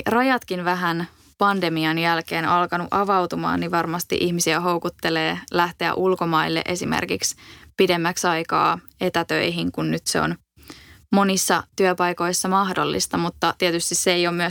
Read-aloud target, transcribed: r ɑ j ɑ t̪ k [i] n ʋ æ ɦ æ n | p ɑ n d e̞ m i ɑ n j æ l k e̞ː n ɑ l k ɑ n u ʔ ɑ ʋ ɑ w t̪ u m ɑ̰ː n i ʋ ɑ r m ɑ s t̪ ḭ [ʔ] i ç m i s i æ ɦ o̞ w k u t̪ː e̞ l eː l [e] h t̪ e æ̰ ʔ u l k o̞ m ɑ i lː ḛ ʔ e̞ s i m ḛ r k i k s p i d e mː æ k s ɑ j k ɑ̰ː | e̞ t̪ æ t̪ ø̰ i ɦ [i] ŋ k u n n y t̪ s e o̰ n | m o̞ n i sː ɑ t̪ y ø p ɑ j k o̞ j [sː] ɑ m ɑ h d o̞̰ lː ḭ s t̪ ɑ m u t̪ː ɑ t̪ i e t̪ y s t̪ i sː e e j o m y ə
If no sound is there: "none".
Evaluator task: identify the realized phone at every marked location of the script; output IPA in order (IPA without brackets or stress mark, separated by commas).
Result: i, ʔ, æ, i, sː